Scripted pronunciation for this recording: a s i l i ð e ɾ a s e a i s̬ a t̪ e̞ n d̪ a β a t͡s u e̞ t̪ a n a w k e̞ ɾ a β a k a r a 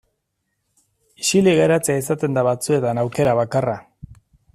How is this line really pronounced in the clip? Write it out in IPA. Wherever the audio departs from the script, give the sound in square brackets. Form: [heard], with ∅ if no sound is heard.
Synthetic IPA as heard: [i] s i l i [ɣ] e ɾ a [t͡s] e a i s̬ a t̪ e̞ n d̪ a β a t͡s u e̞ t̪ a n a w k e̞ ɾ a β a k a r a